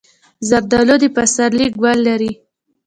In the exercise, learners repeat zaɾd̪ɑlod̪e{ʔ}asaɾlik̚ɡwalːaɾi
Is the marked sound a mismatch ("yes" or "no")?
yes